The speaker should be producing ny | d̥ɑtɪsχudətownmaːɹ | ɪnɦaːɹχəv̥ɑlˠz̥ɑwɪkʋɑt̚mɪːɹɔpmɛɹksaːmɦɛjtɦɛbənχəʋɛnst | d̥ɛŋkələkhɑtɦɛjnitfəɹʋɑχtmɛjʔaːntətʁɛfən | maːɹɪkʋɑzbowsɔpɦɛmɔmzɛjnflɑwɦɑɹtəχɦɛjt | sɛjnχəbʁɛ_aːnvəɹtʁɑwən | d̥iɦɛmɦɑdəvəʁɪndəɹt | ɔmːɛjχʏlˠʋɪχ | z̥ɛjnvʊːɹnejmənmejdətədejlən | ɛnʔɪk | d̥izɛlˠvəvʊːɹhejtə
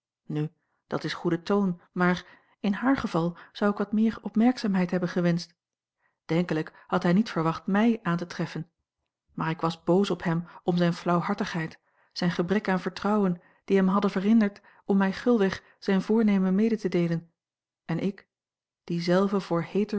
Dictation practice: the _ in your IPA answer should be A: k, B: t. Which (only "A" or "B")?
A